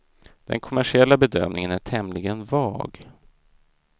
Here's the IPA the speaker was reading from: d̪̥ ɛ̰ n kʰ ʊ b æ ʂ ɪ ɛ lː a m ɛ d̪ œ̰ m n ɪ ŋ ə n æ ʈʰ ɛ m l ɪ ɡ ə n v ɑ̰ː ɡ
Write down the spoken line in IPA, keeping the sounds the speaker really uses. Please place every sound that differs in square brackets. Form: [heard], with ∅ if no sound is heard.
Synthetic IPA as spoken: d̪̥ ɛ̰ n kʰ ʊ [m] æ ʂ ɪ ɛ lː a [b] ɛ d̪ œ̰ m n ɪ ŋ ə n æ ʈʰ ɛ m l ɪ ɡ ə n v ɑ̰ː ɡ